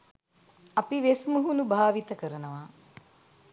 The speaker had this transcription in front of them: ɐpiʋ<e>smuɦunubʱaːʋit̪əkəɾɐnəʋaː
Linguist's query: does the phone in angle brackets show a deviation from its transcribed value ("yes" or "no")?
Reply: no